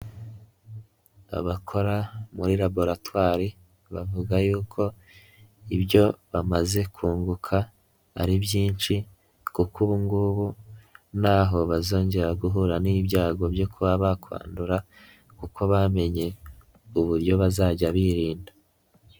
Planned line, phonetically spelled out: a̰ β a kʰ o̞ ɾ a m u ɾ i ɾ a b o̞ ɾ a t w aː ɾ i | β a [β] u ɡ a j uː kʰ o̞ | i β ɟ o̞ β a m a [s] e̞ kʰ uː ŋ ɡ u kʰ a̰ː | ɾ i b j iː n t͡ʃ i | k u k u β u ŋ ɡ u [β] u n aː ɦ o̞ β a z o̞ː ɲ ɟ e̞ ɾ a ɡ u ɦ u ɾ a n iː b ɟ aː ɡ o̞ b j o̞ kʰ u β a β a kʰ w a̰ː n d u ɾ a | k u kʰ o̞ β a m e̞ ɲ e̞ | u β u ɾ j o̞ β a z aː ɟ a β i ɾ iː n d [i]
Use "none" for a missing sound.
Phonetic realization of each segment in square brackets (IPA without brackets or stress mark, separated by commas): v, z, β, a